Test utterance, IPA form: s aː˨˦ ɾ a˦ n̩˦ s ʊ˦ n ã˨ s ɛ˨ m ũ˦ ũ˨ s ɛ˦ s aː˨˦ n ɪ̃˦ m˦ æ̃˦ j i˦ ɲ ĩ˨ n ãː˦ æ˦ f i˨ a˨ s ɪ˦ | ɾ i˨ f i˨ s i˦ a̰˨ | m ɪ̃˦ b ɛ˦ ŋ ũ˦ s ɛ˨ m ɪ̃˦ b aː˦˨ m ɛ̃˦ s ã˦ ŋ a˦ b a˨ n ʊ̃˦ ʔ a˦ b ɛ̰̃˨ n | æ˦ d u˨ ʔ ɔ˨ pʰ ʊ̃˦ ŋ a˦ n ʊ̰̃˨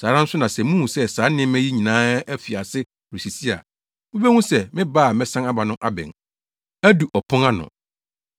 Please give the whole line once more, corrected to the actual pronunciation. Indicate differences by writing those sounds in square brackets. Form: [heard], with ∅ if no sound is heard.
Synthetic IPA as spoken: s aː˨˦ ɾ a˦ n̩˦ s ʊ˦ n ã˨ s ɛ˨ m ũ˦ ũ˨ s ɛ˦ s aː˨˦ n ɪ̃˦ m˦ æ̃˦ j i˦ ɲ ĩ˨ n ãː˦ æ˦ f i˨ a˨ s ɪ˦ | ɾ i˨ [s] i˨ s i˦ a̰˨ | m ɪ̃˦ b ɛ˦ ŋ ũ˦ s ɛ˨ m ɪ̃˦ b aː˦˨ m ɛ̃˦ s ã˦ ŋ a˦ b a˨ n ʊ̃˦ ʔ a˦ b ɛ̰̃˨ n | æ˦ d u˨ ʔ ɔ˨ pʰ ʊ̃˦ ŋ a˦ n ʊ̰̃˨